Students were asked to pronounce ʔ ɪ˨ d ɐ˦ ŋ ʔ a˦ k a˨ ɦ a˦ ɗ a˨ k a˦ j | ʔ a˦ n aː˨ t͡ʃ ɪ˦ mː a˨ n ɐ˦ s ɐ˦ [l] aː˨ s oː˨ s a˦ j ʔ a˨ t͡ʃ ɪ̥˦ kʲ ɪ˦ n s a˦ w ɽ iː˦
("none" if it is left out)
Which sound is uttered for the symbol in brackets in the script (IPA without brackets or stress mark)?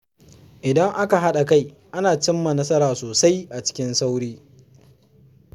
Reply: ɾ